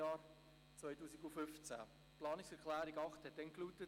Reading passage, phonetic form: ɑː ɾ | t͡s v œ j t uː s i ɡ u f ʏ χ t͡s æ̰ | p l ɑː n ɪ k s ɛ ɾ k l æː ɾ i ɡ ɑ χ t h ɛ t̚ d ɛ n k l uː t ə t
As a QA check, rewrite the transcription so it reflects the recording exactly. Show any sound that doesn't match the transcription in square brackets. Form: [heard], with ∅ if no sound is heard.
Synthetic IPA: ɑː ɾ | t͡s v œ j t uː s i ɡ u f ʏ [f] t͡s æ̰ | p l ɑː n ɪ k s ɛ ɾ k l æː ɾ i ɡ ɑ χ t h ɛ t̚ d ɛ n k l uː t ə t